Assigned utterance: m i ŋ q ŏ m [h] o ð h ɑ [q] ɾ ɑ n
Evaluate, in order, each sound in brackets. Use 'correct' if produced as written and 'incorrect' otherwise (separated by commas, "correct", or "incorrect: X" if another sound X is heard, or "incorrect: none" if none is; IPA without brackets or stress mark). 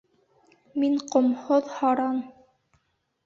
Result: correct, incorrect: none